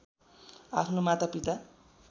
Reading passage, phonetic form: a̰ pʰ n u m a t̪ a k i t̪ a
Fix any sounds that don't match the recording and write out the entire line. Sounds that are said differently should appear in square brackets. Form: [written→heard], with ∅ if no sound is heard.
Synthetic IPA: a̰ pʰ n [u→o] m a t̪ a [k→p] i t̪ a